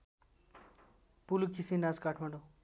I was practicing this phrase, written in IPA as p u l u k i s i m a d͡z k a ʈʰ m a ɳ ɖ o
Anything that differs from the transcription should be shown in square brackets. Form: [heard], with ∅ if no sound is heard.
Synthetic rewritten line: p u l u k i s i [n] a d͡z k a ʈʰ m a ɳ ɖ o